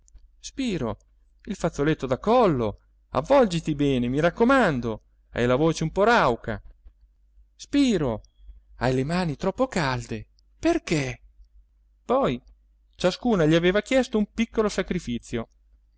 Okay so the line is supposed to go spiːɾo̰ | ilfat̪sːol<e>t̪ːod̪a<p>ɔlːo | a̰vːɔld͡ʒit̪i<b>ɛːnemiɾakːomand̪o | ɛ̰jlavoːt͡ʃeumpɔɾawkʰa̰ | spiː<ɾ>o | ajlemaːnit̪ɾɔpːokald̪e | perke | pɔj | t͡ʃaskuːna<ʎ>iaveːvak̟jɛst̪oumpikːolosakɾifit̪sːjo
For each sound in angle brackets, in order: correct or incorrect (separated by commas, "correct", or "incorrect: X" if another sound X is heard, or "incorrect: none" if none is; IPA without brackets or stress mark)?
correct, incorrect: k, correct, correct, correct